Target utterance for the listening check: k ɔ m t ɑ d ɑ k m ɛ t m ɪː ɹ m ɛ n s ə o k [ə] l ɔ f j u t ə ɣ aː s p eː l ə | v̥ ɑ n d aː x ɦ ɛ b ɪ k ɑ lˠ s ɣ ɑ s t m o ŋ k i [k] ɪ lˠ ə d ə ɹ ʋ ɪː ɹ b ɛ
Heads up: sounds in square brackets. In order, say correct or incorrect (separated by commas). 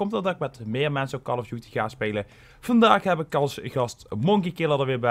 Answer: incorrect, correct